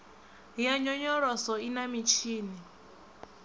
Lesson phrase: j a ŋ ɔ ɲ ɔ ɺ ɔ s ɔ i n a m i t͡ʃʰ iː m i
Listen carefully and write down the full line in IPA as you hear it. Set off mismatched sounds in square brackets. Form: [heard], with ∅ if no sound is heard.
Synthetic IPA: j a [ɲ] ɔ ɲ ɔ ɺ ɔ s ɔ i n a m i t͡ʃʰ iː [n] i